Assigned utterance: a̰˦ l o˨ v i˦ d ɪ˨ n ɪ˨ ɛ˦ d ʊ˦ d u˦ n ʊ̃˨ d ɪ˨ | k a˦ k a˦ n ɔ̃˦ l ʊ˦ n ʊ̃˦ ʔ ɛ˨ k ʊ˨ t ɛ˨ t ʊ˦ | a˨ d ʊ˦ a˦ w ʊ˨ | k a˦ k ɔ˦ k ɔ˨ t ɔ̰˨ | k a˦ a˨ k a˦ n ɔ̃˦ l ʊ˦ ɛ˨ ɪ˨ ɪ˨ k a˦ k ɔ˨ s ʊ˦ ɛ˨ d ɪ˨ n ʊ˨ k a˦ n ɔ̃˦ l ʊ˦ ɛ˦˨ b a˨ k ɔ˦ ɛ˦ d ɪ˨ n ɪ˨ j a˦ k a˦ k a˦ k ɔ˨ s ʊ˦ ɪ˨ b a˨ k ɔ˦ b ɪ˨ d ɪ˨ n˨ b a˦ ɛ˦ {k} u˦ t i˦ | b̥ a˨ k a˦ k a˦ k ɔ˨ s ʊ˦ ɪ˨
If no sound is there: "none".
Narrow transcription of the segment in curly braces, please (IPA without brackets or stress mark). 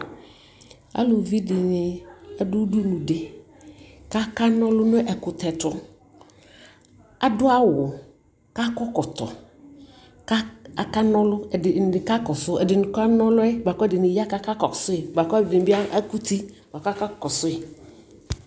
k